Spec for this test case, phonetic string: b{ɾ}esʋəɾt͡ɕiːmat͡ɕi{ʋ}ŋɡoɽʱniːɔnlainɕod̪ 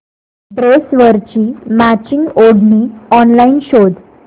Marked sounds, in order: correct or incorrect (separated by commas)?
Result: correct, incorrect